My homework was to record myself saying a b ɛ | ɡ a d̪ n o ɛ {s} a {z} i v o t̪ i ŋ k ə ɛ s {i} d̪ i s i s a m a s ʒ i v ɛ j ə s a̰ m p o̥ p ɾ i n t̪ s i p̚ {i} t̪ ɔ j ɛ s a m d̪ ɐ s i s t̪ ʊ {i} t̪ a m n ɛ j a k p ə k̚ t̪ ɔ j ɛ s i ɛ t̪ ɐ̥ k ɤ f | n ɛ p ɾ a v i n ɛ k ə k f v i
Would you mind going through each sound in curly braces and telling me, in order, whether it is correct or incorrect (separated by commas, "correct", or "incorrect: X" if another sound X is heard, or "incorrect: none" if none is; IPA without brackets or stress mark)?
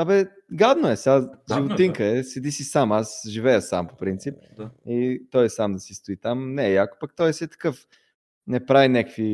correct, incorrect: ʒ, incorrect: ɛ, correct, correct